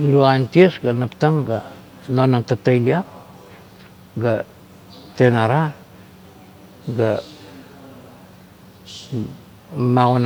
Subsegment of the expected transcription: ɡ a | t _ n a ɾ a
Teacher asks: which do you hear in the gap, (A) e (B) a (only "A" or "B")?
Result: A